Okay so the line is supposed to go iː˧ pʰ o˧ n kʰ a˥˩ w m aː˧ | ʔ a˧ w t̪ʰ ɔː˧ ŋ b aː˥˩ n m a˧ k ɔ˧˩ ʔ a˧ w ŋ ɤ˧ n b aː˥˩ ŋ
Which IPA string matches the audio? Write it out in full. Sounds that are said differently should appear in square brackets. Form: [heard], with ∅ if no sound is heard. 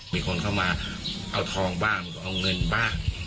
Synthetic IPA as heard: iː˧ [kʰ] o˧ n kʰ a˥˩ w m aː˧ | ʔ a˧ w t̪ʰ ɔː˧ ŋ b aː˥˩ [ŋ] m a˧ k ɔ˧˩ ʔ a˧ w ŋ ɤ˧ n b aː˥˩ ŋ